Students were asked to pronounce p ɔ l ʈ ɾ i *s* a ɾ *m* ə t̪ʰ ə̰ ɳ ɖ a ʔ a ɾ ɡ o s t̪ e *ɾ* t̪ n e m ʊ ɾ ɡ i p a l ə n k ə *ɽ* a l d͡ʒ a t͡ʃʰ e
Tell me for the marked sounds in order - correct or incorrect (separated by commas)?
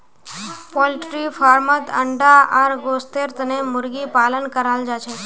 incorrect, correct, correct, incorrect